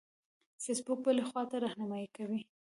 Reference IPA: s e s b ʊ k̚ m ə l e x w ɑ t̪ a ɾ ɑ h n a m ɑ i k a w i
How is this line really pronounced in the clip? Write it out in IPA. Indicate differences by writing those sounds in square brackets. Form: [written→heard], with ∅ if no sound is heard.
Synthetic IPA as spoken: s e s b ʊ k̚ [m→b] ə l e x w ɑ t̪ a ɾ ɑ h n a m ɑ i k a w i